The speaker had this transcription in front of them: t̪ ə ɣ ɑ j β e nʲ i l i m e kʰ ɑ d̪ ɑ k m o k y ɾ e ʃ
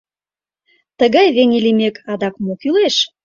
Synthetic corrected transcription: t̪ ə ɣ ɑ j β e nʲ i l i m e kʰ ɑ d̪ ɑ k m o k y l e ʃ